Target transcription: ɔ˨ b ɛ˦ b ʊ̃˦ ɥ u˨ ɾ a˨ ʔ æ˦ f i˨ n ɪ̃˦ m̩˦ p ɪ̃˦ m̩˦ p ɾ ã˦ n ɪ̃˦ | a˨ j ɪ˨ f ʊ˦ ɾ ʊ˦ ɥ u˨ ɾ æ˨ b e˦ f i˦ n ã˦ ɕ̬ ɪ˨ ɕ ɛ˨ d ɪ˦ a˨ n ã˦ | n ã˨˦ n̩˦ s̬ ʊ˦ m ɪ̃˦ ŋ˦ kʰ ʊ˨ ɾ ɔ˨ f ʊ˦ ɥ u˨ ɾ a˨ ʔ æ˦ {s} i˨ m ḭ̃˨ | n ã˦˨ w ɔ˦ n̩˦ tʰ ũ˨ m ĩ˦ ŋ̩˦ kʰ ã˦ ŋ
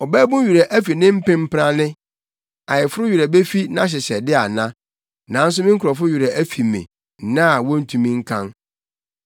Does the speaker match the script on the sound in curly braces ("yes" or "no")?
no